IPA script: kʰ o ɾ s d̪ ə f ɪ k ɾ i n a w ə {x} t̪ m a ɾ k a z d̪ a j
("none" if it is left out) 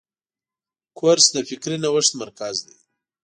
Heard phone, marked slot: ʂ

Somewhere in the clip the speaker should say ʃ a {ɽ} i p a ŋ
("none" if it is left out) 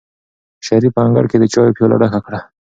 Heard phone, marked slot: ɾ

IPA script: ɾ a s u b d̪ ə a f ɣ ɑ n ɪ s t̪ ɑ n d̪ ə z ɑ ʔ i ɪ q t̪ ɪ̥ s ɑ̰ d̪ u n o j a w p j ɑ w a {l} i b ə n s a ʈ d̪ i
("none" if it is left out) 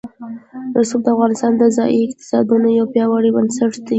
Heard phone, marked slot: ɽ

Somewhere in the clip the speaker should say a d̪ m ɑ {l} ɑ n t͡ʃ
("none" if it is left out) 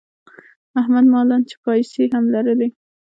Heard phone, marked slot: l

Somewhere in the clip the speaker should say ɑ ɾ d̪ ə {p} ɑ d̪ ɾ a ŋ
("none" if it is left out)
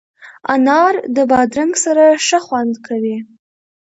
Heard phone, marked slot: b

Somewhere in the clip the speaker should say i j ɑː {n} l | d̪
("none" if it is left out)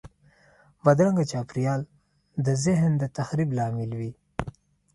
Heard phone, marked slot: none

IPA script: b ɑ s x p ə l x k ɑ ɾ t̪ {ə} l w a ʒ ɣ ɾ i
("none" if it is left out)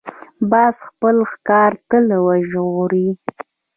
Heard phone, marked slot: ə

